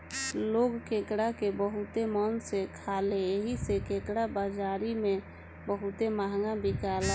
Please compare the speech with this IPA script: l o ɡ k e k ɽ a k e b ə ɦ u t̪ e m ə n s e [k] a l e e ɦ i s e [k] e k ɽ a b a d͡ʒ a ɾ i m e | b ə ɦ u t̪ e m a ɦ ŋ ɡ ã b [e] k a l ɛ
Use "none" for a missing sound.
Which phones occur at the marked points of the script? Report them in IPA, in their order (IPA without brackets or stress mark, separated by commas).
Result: kʰ, k, i